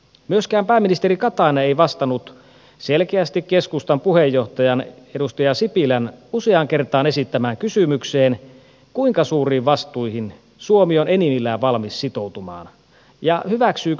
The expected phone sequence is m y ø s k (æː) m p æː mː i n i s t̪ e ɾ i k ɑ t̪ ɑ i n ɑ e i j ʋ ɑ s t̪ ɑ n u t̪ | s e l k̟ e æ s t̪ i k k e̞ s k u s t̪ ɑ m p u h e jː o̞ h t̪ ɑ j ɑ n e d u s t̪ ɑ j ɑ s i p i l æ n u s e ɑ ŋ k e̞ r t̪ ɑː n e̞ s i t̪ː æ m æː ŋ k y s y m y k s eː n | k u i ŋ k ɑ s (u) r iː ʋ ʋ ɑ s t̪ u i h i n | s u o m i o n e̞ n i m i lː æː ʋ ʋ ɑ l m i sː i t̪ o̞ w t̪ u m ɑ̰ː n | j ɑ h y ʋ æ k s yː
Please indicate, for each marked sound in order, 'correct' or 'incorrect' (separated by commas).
correct, incorrect